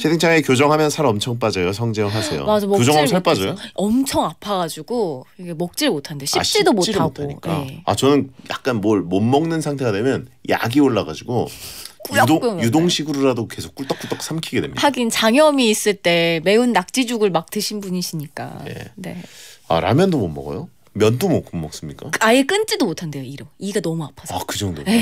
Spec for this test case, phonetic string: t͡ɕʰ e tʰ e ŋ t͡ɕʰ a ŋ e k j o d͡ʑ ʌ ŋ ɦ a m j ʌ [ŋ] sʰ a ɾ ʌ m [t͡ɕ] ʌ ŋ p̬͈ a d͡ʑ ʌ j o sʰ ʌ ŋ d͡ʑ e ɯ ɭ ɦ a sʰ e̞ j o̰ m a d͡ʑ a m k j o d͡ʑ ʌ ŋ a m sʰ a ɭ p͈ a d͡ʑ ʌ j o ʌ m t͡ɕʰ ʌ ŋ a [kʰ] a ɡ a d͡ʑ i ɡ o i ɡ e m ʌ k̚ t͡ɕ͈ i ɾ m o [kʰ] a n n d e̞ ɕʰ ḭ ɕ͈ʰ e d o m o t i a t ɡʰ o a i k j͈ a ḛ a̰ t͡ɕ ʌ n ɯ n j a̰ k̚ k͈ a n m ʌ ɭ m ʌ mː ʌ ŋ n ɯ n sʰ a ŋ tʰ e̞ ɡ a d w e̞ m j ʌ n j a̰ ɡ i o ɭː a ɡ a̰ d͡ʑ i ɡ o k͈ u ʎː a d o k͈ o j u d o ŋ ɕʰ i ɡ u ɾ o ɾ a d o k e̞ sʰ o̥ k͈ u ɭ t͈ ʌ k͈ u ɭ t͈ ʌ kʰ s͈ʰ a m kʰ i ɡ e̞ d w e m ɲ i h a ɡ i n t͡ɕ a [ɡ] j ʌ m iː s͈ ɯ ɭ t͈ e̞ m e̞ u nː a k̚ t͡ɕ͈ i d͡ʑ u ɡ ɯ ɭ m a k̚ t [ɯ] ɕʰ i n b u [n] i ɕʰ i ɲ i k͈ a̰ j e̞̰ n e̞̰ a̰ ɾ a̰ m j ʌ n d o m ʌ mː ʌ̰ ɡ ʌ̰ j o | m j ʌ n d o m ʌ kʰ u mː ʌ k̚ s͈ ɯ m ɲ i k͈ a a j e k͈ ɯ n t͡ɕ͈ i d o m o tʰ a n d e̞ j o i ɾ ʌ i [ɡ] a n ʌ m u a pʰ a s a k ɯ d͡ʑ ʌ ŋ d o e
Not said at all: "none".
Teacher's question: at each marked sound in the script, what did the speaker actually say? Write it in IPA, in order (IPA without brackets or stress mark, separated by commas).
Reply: n, t͡ɕʰ, pʰ, tʰ, ŋ, ɯ, ɲ, ɡ